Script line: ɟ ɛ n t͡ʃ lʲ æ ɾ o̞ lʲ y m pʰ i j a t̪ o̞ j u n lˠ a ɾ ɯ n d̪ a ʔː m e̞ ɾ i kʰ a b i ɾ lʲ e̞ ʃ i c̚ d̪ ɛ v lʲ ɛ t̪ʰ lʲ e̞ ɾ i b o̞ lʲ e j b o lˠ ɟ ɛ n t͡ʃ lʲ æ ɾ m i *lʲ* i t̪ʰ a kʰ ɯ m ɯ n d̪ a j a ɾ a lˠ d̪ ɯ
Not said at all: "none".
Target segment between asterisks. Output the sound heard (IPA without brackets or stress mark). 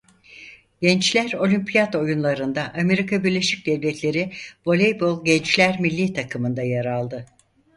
lʲː